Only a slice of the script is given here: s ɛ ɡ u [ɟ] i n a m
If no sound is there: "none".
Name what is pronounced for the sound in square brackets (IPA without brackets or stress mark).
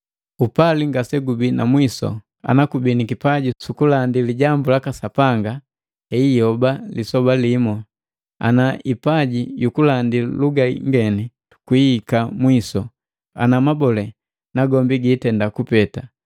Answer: b